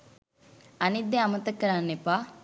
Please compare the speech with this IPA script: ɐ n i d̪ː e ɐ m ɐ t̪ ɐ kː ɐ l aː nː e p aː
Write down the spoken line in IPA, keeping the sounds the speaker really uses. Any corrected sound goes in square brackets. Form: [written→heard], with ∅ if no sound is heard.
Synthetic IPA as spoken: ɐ n i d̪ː e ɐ m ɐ t̪ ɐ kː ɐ [l→ɾ] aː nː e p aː